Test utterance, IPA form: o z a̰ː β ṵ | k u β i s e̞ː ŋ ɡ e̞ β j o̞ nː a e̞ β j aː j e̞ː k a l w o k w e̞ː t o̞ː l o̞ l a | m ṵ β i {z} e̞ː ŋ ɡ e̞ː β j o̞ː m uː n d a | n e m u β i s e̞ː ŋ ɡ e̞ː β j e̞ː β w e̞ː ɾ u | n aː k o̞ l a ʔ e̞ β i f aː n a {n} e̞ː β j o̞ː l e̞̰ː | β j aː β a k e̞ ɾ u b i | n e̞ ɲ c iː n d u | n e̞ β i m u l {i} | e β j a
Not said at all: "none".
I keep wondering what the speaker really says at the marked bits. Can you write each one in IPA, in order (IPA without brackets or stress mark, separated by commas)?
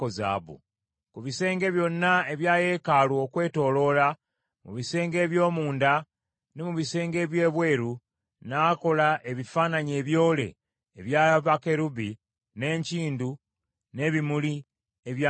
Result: s, ɲ, i